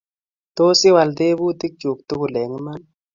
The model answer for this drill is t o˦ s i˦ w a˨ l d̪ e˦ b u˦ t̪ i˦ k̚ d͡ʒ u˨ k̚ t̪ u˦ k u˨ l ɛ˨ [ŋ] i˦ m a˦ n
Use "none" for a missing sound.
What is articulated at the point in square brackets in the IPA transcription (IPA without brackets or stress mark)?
ŋ